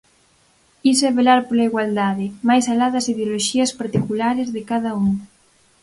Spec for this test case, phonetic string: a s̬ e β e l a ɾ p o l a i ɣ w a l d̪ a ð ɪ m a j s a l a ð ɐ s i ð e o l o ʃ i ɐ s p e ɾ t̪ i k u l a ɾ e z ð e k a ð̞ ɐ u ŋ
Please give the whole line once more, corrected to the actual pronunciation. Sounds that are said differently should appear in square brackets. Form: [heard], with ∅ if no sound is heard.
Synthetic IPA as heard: [i] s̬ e β e l a ɾ p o l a i ɣ w a l d̪ a ð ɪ m a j s a l a ð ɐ s i ð e o l o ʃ i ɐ s p [a] ɾ t̪ i k u l a ɾ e z ð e k a ð̞ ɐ u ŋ